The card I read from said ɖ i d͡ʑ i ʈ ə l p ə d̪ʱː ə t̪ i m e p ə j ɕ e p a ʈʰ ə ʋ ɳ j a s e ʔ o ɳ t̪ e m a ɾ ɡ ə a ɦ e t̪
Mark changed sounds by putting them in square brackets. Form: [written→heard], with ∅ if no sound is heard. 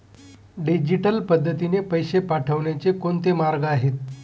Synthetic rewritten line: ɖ i d͡ʑ i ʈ ə l p ə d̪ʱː ə t̪ i [m→n] e p ə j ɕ e p a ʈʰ ə ʋ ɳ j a [s→t͡s] e [ʔ→k] o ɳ t̪ e m a ɾ ɡ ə a ɦ e t̪